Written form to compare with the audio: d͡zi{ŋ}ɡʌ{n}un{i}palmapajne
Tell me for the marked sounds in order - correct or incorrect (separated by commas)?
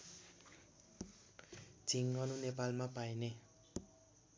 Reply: correct, correct, incorrect